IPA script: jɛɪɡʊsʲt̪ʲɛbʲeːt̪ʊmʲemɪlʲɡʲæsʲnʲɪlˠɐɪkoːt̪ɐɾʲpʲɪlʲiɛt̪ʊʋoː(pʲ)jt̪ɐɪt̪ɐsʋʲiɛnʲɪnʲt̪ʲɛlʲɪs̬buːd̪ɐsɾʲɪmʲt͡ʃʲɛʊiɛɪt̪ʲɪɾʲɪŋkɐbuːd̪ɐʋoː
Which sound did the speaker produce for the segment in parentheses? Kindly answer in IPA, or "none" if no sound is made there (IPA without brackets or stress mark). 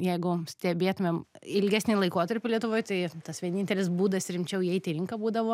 none